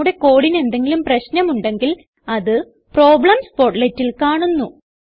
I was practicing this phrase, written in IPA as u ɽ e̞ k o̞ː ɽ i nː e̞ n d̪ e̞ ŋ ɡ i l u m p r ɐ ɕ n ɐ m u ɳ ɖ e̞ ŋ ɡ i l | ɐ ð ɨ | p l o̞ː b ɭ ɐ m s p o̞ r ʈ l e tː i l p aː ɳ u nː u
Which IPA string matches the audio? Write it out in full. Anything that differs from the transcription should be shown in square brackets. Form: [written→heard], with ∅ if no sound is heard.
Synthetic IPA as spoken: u ɽ e̞ k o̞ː ɽ i [nː→n] e̞ n d̪ e̞ ŋ ɡ i l u m p r ɐ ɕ n ɐ m u ɳ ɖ e̞ ŋ ɡ i l | ɐ ð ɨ | p [l→r] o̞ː b ɭ ɐ m s p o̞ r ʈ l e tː i l [p→k] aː ɳ u nː u

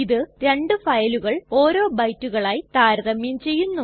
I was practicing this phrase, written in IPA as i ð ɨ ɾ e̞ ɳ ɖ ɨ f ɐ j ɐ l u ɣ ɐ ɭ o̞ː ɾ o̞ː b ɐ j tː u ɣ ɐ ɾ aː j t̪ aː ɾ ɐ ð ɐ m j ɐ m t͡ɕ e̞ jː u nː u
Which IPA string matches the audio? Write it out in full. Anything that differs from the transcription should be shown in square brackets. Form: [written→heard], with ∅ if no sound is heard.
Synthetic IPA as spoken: i ð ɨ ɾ e̞ ɳ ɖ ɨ f ɐ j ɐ l u ɣ ɐ ɭ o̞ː ɾ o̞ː b ɐ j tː u ɣ ɐ [ɾ→ɭ] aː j t̪ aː ɾ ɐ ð ɐ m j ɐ m t͡ɕ e̞ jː u nː u

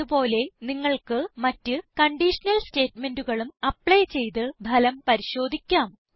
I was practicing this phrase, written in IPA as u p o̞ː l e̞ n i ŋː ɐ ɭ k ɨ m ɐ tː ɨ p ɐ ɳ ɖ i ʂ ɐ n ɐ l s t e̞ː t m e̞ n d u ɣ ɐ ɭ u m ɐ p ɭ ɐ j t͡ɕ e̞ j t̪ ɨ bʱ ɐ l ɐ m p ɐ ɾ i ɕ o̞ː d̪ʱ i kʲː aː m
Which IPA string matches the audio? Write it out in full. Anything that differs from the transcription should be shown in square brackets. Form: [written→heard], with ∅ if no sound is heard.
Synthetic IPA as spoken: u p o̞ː l e̞ n i ŋː ɐ ɭ k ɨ m ɐ tː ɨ [p→k] ɐ ɳ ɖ i ʂ ɐ n ɐ l s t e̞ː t m e̞ n d u ɣ ɐ ɭ u m ɐ p ɭ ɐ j t͡ɕ e̞ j t̪ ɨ bʱ ɐ l ɐ m p ɐ ɾ i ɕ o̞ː d̪ʱ i kʲː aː m

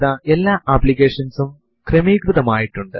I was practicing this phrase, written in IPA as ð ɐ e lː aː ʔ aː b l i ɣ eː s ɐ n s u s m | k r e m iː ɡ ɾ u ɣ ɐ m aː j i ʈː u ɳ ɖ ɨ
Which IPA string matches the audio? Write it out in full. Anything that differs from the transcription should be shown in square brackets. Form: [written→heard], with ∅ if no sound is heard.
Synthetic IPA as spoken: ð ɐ e lː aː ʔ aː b l i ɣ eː [s→ʂ] ɐ n s u [s→∅] m | k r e m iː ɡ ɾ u [ɣ→ð] ɐ m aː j i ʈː u ɳ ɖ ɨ

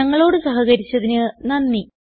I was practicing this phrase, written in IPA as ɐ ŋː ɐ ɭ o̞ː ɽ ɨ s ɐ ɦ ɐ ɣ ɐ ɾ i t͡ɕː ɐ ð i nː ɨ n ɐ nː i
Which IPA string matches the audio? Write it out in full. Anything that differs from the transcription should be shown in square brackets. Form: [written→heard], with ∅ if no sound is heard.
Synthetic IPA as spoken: ɐ ŋː ɐ ɭ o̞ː ɽ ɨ s ɐ ɦ ɐ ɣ ɐ ɾ i t͡ɕː ɐ ð i [nː→n] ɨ n ɐ nː i

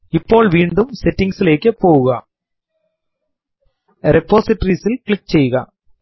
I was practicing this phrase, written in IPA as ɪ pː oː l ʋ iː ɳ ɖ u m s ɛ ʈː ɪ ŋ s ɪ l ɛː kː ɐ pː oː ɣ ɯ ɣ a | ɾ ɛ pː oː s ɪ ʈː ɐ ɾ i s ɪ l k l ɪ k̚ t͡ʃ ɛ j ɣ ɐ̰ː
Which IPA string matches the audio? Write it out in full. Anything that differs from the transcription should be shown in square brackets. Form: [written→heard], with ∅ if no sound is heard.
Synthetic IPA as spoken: ɪ pː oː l ʋ iː ɳ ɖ [u→ɯ] m s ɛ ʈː ɪ ŋ s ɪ l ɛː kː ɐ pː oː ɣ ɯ ɣ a | ɾ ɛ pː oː s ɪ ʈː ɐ ɾ i s ɪ l k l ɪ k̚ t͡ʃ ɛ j ɣ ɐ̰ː

